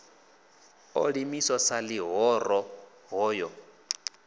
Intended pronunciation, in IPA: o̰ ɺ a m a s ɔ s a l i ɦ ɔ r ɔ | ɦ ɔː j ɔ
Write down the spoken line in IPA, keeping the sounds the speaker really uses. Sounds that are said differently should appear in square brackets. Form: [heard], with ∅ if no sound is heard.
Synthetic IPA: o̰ ɺ [i] m [i] s ɔ s a l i ɦ ɔ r ɔ | ɦ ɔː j ɔ